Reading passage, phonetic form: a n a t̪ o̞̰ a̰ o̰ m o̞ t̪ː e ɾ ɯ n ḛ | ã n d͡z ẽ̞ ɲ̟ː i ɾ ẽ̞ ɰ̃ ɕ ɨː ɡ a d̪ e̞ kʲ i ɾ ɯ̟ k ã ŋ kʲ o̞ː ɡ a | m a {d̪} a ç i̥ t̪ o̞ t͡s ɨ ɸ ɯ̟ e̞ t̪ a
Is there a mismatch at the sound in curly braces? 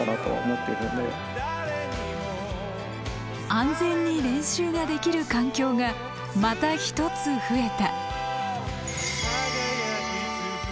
yes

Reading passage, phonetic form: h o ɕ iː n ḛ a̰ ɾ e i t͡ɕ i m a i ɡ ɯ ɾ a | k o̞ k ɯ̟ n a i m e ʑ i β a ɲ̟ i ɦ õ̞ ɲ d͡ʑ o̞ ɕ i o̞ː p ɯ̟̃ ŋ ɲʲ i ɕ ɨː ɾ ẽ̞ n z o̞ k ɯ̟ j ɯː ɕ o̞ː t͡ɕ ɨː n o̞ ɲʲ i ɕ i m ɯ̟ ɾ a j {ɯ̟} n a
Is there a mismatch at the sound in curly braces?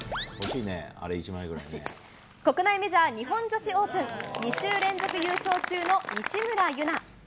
no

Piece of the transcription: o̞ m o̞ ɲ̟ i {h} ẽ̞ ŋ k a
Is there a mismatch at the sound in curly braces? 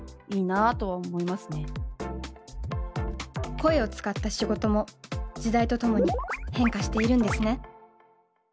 no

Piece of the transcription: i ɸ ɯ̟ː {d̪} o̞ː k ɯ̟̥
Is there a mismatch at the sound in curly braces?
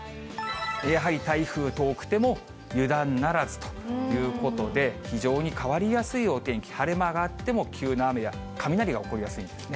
yes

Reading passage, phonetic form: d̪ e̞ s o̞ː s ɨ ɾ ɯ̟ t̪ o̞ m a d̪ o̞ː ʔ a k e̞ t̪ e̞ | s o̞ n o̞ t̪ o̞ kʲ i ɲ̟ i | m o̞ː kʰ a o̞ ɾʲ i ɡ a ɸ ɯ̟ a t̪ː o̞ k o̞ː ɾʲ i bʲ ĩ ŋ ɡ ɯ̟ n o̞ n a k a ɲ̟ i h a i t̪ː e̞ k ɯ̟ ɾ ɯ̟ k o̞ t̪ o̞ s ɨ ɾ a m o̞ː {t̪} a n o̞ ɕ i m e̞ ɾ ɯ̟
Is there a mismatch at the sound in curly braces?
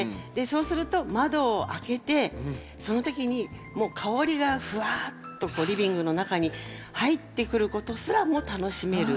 no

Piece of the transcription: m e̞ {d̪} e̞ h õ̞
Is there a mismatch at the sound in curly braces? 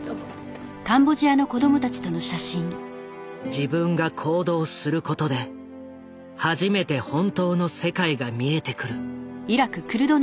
yes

